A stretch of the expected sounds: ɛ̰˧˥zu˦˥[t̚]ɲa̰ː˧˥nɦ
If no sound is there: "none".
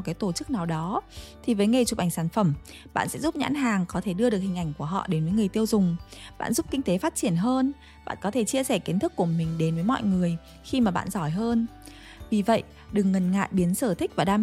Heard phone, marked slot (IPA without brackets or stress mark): p̚